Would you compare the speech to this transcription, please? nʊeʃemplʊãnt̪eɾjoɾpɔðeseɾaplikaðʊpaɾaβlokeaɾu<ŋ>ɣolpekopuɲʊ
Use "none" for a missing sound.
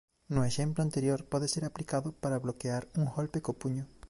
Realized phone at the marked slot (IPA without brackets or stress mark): ŋ